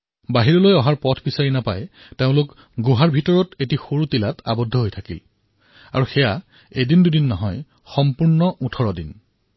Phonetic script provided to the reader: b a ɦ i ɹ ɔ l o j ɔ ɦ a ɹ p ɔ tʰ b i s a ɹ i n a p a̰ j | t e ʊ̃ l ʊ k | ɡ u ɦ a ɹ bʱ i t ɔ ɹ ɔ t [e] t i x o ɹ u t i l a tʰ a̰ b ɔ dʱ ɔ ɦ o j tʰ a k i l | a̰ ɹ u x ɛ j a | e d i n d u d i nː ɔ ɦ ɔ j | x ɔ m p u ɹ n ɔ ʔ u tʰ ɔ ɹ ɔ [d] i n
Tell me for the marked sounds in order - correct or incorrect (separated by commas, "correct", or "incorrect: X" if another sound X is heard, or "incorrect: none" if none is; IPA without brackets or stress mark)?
correct, correct